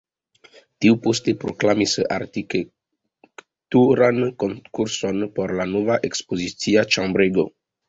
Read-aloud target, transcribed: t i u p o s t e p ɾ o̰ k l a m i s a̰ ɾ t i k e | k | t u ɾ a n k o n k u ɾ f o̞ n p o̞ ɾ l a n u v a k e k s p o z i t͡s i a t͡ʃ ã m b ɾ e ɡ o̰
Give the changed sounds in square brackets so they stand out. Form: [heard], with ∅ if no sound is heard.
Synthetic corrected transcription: t i u p o s t e p ɾ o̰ k l a m i s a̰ ɾ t i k e | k | t u ɾ a n k o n k u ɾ [s] o̞ n p o̞ ɾ l a n [o] v a [ʔ] e k s p o z i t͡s i a t͡ʃ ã m b ɾ e ɡ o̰

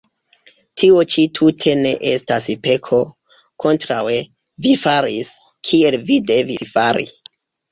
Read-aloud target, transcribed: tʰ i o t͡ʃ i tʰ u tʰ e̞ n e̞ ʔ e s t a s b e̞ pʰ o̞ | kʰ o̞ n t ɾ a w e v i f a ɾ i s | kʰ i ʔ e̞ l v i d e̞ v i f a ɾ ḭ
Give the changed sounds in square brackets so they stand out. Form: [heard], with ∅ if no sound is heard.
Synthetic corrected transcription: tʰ i o t͡ʃ i tʰ u tʰ e̞ n e̞ ʔ e s t a s [p] e̞ [kʰ] o̞ | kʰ o̞ n t ɾ a w e v i f a ɾ i s | kʰ i [∅] e̞ l v i d e̞ v i f a ɾ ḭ

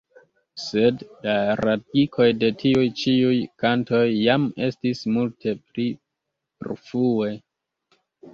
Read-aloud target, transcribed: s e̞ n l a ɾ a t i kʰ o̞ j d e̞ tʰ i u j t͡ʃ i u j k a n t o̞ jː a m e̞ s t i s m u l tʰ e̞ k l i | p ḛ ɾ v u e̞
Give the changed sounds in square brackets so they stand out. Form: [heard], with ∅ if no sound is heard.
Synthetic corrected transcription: s e̞ [d] l a ɾ a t i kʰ o̞ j d e̞ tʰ i u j t͡ʃ i u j k a n t o̞ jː a m e̞ s t i s m u l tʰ e̞ [p] l i | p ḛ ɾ [f] u e̞

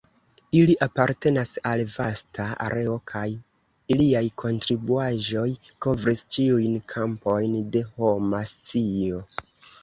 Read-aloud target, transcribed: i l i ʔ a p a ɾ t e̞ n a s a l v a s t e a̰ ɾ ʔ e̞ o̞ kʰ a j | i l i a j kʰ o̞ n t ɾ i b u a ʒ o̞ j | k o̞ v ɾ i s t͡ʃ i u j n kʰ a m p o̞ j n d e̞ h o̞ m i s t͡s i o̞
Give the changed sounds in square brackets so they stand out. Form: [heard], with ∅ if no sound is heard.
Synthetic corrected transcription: i l i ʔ a p a ɾ t e̞ n a s a l v a s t [a] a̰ ɾ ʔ e̞ o̞ kʰ a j | i l i a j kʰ o̞ n t ɾ i b u a ʒ o̞ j | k o̞ v ɾ i s t͡ʃ i u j n kʰ a m p o̞ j n d e̞ h o̞ m [a] s t͡s i o̞

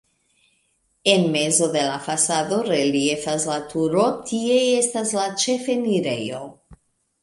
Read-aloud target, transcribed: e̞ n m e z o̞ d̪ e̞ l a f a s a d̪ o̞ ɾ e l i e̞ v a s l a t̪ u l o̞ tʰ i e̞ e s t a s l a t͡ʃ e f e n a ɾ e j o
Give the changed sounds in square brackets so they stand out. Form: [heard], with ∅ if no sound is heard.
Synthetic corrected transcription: e̞ n m e z o̞ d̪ e̞ l a f a s a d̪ o̞ ɾ e l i e̞ [f] a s l a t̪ u [ɾ] o̞ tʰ i e̞ e s t a s l a t͡ʃ e f e n [i] ɾ e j o

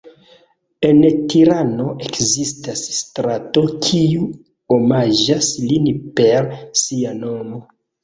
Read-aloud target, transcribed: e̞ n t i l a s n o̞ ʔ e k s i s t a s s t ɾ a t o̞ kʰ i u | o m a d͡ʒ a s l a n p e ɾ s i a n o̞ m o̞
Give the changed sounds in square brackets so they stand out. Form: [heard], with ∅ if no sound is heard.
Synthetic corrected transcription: e̞ n t i [ɾ] a [∅] n o̞ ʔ e k [z] i s t a s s t ɾ a t o̞ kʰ i u | o m a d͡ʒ a s l [i] n p e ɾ s i a n o̞ m o̞

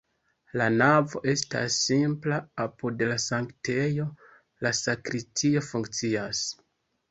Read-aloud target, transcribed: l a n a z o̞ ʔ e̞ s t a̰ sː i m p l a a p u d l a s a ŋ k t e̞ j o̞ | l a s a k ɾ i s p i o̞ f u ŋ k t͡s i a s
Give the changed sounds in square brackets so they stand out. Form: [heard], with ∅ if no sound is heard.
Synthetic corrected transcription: l a n a [v] o̞ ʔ e̞ s t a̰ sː i m p l a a p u d l a s a ŋ k t e̞ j o̞ | l a s a k ɾ i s [t] i o̞ f u ŋ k t͡s i a s

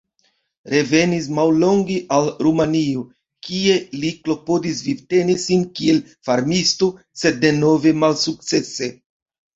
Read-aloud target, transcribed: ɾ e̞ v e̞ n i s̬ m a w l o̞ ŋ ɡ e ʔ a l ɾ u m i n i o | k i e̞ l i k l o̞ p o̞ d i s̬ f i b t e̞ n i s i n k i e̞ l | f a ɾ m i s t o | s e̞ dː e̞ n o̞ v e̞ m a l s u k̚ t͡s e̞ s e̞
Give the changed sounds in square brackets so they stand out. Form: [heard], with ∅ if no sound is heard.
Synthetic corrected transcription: ɾ e̞ v e̞ n i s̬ m a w l o̞ ŋ ɡ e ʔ a l ɾ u m [a] n i o | k i e̞ l i k l o̞ p o̞ d i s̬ [v] i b t e̞ n i s i n k i e̞ l | f a ɾ m i s t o | s e̞ dː e̞ n o̞ v e̞ m a l s u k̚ t͡s e̞ s e̞

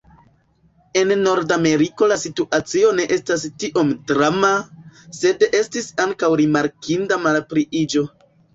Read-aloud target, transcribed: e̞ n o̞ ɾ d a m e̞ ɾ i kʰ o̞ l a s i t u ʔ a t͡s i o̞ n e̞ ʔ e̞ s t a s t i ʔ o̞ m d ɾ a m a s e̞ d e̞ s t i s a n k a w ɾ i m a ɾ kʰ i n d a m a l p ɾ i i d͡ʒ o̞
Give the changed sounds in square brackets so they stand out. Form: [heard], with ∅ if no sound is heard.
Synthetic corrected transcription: e̞ [nː] o̞ ɾ d a m e̞ ɾ i [k] o̞ l a s i t u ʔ a t͡s i o̞ n e̞ ʔ e̞ s t a s t i ʔ o̞ m d ɾ a m a s e̞ d e̞ s t i s a [ŋ] k a w ɾ i m a ɾ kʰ i n d a m a l p ɾ i i d͡ʒ o̞

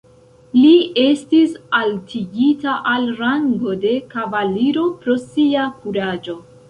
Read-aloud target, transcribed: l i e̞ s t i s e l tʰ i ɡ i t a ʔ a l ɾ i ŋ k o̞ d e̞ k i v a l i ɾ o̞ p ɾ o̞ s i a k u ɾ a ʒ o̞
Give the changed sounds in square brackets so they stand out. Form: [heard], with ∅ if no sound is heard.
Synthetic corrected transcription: l i e̞ s t i s [a] l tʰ i ɡ i t a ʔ a l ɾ [a] ŋ [ɡ] o̞ d e̞ k [a] v a l i ɾ o̞ p ɾ o̞ s i a k u ɾ a [d͡ʒ] o̞

